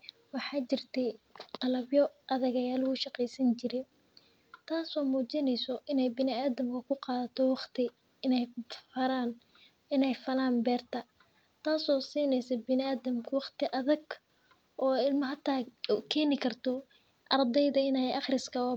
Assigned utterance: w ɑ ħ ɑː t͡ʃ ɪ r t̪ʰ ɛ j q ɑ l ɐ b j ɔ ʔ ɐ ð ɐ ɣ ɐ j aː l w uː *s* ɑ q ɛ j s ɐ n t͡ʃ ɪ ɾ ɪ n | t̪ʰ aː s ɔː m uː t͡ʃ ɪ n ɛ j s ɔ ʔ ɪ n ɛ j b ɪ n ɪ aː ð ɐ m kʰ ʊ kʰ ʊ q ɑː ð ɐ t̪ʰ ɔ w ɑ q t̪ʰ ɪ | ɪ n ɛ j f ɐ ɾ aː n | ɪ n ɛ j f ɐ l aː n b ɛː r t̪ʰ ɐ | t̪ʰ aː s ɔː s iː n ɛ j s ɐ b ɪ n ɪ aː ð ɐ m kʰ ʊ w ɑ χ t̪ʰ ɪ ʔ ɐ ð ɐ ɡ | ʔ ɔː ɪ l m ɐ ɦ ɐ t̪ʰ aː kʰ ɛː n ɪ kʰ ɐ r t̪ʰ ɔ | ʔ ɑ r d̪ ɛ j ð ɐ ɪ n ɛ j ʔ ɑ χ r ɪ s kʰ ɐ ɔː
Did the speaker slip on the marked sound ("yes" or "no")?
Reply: yes